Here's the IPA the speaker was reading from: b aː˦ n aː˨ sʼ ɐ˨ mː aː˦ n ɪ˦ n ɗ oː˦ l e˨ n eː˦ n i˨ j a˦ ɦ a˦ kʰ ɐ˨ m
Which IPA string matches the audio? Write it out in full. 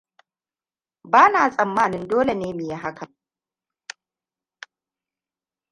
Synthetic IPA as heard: b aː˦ n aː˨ sʼ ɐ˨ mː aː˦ n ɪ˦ n d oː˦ l e˨ n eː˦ m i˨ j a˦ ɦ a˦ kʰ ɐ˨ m